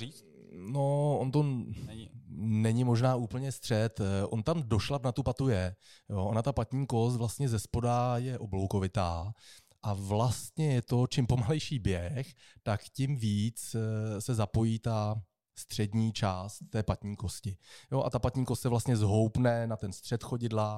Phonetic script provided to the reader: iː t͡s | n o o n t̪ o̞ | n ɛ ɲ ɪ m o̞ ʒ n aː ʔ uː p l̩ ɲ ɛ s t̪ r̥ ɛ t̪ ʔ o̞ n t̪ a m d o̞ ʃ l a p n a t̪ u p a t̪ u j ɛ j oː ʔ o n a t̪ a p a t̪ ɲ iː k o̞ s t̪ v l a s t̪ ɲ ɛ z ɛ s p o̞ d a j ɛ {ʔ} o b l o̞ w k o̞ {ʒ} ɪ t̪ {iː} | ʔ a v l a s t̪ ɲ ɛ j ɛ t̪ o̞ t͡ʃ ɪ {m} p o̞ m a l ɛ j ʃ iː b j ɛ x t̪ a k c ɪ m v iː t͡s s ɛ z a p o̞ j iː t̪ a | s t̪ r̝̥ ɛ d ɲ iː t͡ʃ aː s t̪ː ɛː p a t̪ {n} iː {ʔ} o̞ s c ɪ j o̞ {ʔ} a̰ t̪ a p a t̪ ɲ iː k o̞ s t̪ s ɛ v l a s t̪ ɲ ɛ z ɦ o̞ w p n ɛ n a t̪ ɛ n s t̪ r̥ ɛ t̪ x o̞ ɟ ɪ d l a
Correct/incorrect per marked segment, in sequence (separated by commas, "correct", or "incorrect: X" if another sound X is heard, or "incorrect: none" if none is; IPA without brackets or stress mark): correct, incorrect: v, incorrect: aː, correct, incorrect: ɲ, incorrect: k, correct